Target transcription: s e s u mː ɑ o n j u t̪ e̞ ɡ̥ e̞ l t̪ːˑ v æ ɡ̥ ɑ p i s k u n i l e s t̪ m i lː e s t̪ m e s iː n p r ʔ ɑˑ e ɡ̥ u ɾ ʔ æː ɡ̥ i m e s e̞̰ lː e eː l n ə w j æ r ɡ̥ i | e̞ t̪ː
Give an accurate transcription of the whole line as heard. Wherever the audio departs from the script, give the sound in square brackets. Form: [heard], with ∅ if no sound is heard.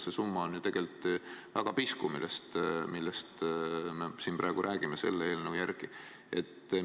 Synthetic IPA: s e s u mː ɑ o n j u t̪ e̞ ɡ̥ e̞ l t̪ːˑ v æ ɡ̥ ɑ p i s k u [m] i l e s t̪ m i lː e s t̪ m e s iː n p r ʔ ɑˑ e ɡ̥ u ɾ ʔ æː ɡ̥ i m e s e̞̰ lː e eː l n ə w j æ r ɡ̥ i | e̞ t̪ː